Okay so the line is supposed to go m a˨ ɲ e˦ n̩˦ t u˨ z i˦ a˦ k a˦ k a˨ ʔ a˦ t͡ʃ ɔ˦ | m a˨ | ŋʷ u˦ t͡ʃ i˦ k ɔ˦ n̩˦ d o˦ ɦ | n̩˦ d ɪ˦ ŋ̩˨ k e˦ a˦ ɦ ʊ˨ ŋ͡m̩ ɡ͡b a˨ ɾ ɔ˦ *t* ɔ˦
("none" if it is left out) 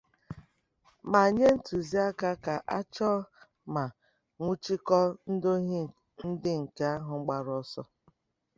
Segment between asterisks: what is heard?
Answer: s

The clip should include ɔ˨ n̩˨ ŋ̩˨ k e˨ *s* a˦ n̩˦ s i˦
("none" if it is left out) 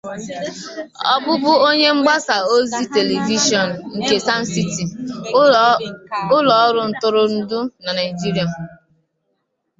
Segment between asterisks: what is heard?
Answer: s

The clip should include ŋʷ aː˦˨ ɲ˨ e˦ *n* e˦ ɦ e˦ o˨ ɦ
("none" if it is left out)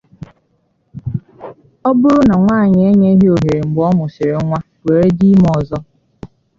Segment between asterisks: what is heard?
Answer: ɲ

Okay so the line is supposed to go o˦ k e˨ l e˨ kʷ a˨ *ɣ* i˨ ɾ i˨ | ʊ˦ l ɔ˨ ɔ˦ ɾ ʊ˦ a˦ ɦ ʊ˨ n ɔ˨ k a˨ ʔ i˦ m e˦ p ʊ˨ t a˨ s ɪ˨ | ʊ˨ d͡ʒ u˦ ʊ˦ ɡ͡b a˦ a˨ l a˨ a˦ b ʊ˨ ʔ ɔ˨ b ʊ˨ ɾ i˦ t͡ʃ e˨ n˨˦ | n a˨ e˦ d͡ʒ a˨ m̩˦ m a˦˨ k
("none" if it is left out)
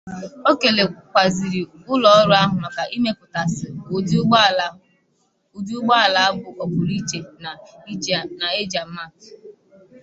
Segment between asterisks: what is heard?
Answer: z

